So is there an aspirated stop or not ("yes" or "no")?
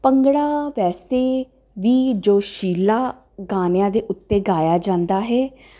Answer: no